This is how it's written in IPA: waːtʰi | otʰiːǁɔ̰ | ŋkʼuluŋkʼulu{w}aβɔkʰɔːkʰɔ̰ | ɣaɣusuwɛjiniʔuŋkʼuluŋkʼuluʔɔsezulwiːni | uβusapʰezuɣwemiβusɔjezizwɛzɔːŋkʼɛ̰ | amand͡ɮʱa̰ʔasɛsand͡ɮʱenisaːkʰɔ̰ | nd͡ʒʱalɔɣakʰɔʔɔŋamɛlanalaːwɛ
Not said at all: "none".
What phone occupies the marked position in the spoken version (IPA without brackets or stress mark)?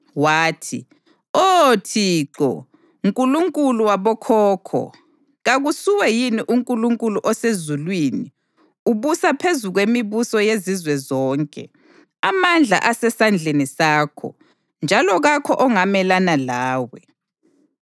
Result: w